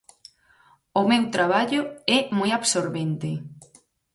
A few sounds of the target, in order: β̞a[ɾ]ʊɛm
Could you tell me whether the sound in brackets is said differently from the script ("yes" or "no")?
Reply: yes